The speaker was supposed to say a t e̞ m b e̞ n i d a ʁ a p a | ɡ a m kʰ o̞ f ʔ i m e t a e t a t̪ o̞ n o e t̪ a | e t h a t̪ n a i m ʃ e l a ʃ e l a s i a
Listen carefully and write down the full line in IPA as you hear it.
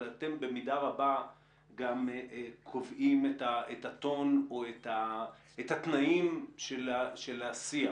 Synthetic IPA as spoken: a t e̞ m b e̞ m i d a ʁ a b a | ɡ a m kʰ o̞ v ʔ i m e t a e t a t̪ o̞ n o e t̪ a | e t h a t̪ n a i m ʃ e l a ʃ e l a s i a